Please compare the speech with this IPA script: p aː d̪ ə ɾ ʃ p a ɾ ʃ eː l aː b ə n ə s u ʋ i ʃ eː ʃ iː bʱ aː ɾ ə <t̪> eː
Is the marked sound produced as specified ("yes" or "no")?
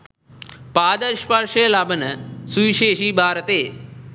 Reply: yes